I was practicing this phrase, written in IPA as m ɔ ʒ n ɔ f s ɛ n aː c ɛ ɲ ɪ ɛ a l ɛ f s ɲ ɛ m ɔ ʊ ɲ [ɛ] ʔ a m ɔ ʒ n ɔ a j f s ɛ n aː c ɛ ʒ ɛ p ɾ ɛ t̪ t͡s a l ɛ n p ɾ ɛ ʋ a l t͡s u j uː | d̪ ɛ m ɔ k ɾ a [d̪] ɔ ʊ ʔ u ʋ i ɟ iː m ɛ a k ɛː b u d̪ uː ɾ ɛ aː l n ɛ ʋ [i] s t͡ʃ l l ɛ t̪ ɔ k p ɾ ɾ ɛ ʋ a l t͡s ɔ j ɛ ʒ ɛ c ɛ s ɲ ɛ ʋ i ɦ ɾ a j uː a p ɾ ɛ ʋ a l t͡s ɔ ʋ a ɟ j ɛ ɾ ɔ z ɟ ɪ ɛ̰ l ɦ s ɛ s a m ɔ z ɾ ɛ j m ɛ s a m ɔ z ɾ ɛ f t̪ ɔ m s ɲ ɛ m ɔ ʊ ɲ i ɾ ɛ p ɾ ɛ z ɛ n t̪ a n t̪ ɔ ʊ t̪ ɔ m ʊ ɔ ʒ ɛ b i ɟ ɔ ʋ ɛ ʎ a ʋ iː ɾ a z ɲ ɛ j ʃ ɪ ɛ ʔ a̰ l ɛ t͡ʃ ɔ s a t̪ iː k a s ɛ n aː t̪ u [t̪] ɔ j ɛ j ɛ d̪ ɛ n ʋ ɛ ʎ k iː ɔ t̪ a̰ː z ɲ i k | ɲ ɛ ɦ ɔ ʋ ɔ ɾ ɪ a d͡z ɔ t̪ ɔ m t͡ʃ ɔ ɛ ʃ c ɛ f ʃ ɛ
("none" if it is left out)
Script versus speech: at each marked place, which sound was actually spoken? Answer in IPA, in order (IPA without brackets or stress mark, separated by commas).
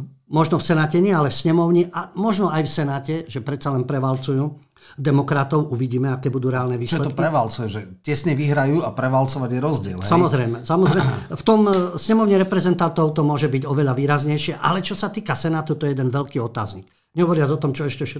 i, t̪, iː, t̪